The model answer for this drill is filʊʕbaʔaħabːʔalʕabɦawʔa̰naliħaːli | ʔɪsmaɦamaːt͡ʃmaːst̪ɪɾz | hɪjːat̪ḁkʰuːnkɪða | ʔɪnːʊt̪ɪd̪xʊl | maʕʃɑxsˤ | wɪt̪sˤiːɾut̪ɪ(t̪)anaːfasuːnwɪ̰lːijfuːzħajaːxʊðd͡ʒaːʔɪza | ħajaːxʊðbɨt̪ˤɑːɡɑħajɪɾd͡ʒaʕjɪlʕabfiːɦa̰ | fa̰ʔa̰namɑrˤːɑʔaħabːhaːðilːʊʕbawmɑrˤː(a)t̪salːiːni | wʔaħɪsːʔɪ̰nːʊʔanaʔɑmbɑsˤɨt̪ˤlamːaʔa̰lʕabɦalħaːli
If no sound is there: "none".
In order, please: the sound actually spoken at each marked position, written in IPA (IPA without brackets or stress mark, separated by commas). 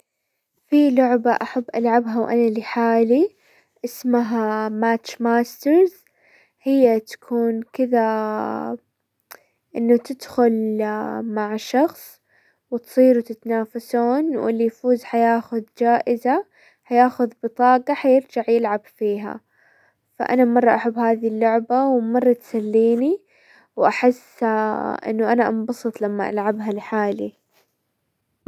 t̪, ɑ